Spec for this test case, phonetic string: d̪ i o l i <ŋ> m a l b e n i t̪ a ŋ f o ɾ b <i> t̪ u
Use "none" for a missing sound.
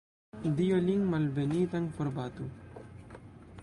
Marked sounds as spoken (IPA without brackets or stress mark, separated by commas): ŋ, a